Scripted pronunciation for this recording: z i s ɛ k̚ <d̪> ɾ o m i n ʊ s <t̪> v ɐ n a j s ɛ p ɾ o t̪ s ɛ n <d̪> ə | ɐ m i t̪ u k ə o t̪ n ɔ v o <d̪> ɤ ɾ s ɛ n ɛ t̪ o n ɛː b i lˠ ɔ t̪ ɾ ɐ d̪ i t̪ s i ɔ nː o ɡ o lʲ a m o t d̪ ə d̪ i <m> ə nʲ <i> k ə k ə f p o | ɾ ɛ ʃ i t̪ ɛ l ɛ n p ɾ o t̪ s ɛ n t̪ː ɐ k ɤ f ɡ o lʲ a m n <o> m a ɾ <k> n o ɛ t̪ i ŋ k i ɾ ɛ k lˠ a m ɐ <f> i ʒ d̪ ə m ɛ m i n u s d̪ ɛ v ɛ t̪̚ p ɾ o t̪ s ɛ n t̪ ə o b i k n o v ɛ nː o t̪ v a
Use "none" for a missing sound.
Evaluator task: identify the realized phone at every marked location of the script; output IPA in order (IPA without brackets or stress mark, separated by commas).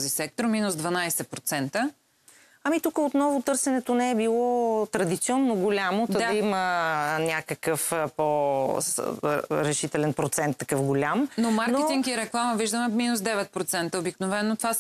t̪, d̪, t̪, t̪, m, a, o, k, v